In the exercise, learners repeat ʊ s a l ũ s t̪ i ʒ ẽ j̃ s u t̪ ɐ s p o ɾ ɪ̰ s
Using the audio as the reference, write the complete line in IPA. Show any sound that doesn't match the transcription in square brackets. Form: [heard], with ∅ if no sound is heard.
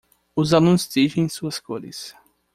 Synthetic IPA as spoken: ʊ [z] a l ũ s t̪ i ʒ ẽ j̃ s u [∅] ɐ s [k] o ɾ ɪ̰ s